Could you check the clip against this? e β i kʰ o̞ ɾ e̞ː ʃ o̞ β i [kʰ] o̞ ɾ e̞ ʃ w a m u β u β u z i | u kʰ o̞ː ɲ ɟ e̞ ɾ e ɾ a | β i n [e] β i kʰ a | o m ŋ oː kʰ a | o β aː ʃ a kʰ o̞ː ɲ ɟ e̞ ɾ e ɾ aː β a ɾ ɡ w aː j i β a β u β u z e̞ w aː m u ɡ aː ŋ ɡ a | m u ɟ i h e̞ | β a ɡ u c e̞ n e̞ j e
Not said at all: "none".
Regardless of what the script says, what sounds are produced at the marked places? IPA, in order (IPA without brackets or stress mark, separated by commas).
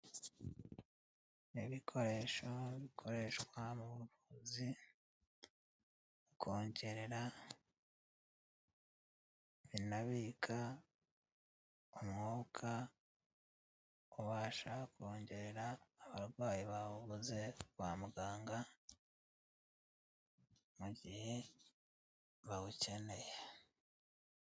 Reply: kʰ, a